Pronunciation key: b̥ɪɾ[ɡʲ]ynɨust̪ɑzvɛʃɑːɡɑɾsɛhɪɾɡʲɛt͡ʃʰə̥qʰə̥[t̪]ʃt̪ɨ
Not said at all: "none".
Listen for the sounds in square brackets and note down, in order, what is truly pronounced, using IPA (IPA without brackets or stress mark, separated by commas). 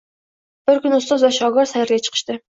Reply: kʲ, none